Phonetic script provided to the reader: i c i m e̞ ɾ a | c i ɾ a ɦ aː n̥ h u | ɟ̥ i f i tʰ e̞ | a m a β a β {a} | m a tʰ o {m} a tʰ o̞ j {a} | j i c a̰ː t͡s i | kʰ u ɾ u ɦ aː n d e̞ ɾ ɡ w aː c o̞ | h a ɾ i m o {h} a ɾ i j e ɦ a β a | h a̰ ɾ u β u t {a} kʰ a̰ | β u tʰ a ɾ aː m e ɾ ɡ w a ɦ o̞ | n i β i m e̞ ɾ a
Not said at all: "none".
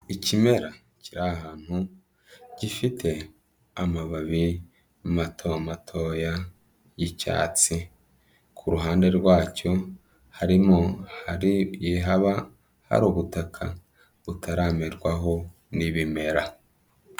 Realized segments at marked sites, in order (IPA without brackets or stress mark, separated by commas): i, m, a, h, a